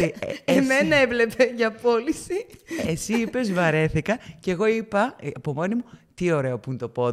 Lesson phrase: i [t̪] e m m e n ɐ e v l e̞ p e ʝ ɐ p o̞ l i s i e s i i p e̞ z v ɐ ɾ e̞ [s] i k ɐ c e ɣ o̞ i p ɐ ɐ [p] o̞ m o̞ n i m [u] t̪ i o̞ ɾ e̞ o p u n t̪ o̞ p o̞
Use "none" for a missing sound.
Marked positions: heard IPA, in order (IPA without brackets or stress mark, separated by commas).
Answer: none, θ, p, u